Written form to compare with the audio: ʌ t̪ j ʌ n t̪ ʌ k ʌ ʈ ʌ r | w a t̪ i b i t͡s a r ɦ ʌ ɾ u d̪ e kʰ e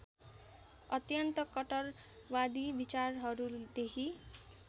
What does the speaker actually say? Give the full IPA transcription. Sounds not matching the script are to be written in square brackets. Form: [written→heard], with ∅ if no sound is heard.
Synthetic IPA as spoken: ʌ t̪ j ʌ n t̪ ʌ k ʌ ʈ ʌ r | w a [t̪→d̪] i b i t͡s a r ɦ ʌ ɾ u d̪ e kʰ [e→i]